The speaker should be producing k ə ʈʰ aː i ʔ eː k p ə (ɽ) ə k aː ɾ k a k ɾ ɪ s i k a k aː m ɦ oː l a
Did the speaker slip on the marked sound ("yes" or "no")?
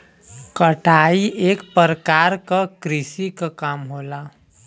yes